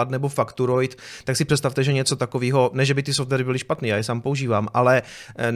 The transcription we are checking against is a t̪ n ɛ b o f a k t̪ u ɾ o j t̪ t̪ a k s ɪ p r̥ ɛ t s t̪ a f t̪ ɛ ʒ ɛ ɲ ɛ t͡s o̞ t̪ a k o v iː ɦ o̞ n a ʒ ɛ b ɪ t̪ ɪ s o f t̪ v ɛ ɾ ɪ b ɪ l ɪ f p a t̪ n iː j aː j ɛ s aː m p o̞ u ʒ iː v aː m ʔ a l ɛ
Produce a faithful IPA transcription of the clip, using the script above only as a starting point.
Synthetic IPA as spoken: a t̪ n ɛ b o f a k t̪ u ɾ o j t̪ t̪ a k s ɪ p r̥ ɛ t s t̪ a f t̪ ɛ ʒ ɛ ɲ ɛ t͡s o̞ t̪ a k o v iː ɦ o̞ n ɛ ʒ ɛ b ɪ t̪ ɪ s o f t̪ v ɛ ɾ ɪ b ɪ l ɪ ʃ p a t̪ n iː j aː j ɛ s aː m p o̞ u ʒ iː v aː m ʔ a l ɛ